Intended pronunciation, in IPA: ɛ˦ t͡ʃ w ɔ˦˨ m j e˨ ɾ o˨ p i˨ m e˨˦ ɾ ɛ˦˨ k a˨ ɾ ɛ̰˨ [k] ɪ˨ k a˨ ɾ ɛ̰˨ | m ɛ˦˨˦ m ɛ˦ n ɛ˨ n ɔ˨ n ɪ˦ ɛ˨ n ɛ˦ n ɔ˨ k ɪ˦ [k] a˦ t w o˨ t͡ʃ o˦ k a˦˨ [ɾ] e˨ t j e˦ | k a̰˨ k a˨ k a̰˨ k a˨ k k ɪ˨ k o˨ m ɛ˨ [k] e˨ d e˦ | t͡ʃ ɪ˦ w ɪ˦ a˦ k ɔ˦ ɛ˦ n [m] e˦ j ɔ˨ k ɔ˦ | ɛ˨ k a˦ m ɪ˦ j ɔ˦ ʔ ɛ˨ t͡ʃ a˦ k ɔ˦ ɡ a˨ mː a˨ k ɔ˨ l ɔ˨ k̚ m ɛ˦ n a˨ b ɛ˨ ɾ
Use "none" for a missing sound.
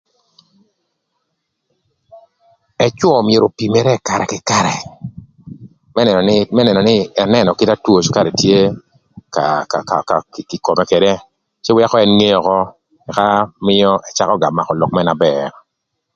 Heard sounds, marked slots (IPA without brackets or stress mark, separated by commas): k, t, ɾ, k, ŋ